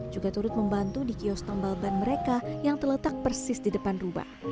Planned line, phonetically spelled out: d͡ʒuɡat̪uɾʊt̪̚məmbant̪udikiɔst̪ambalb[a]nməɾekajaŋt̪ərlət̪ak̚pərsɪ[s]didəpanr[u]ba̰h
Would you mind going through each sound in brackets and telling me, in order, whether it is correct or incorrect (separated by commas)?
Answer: correct, correct, correct